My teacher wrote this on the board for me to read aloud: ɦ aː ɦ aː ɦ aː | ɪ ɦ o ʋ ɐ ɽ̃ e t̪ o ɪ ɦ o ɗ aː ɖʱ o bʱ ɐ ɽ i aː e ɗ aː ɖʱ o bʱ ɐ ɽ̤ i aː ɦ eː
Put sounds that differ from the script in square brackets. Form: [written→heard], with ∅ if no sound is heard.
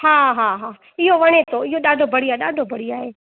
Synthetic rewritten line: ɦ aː ɦ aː ɦ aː | ɪ ɦ o ʋ ɐ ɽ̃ e t̪ o ɪ ɦ o ɗ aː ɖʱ o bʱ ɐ ɽ i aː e ɗ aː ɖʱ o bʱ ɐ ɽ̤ i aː ɦ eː